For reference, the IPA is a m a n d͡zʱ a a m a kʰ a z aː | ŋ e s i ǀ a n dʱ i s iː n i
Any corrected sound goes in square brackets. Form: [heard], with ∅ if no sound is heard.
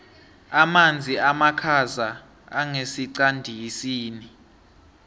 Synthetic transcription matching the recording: a m a n d͡zʱ [i] a m a kʰ a z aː | ŋ e s i ǀ a n dʱ i s iː n i

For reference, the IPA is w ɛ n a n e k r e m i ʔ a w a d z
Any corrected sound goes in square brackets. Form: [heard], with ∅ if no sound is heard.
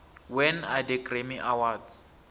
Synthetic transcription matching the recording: w ɛ n a [d] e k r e m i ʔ a w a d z

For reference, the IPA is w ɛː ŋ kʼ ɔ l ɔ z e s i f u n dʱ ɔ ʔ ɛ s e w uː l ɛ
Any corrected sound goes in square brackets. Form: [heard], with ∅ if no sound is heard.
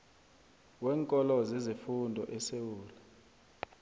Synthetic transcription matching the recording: w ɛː ŋ kʼ ɔ l ɔ z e [z] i f u n dʱ ɔ ʔ ɛ s e w uː l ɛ

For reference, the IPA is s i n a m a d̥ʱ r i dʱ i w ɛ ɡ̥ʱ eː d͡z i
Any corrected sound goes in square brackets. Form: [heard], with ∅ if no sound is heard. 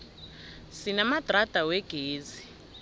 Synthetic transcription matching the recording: s i n a m a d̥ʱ r [a] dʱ [a] w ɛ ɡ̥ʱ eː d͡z i

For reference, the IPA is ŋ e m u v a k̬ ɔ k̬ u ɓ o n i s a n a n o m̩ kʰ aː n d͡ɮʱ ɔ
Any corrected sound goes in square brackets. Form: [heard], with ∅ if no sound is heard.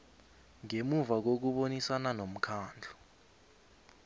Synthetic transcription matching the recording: ŋ e m u v a k̬ [o] k̬ u ɓ o n i s a n a n o m̩ kʰ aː n d͡ɮʱ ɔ

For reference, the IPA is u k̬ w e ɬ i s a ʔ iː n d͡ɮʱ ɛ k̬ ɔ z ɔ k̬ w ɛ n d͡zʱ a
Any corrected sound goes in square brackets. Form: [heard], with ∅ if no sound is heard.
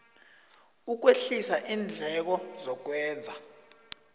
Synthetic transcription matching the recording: u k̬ w e ɬ i s a ʔ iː n d͡ɮʱ ɛ k̬ ɔ z ɔ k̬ w [ɛː] n d͡zʱ a

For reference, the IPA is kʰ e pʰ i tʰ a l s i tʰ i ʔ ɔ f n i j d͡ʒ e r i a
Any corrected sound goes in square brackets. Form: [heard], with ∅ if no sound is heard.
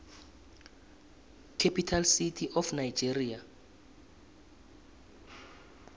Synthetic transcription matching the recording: kʰ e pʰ i tʰ a l s i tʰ i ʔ ɔ f n [a] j d͡ʒ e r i a

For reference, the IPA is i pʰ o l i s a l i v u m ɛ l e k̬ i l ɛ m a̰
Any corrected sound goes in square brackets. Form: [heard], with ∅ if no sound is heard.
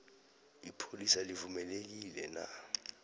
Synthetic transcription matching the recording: i pʰ o l i s a l i v u m ɛ l e k̬ i l ɛ [n] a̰

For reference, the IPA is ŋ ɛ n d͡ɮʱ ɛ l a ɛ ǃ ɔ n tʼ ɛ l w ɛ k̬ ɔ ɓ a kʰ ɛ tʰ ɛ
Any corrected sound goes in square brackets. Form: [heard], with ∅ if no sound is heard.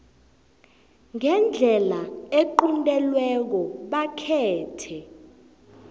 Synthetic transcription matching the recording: ŋ ɛ n d͡ɮʱ ɛ l a [e] ǃ [u] n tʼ ɛ l w ɛ k̬ ɔ ɓ a kʰ [ɛː] tʰ ɛ

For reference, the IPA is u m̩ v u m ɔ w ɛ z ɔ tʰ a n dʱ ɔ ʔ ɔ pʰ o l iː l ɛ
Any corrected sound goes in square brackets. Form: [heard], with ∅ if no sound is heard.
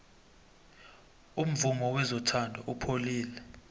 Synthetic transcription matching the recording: u m̩ v u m ɔ w ɛ z ɔ tʰ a n dʱ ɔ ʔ [u] pʰ o l iː l ɛ

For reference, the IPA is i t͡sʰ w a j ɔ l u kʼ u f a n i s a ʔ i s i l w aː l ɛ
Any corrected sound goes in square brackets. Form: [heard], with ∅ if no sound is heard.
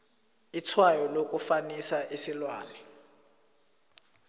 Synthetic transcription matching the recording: i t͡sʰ w a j ɔ l [o] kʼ u f a n i s a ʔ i s i l w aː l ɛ

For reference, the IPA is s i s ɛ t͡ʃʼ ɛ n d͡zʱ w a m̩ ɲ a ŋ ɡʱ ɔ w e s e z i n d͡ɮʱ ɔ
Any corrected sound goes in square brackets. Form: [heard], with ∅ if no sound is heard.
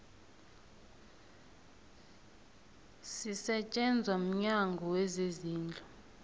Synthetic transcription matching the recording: s i s ɛ t͡ʃʼ ɛ n d͡zʱ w a m̩ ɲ a ŋ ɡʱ ɔ w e [z] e z [iː] n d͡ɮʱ ɔ

